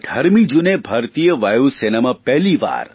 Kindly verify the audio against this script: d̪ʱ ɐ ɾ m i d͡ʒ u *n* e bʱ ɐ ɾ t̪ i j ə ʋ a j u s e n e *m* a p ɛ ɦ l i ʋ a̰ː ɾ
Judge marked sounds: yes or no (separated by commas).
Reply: yes, yes